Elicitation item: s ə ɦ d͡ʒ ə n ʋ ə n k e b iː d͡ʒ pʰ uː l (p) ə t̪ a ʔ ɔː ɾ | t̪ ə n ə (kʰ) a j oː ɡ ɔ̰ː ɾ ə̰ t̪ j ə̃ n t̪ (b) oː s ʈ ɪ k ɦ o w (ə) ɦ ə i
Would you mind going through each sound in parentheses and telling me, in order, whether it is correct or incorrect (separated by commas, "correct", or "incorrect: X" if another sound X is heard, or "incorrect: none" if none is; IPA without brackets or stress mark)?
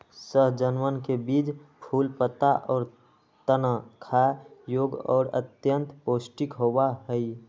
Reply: correct, correct, incorrect: p, incorrect: a